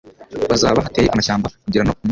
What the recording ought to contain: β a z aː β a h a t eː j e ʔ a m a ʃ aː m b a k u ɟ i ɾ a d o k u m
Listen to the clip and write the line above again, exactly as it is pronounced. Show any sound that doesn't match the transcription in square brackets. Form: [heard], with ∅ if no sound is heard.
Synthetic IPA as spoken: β a z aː β a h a t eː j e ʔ a m a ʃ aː m b a k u ɟ i ɾ a [n] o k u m